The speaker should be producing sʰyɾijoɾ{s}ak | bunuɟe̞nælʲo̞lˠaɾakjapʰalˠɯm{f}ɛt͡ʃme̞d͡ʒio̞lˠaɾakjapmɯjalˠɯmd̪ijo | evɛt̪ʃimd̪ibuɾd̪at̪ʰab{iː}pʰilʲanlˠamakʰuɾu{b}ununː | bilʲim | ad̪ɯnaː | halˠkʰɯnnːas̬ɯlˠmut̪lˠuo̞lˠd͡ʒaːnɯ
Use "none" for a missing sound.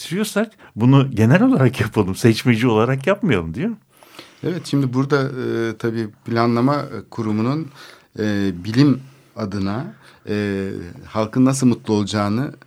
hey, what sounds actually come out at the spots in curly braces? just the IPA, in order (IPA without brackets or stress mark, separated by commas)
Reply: s, s, iː, m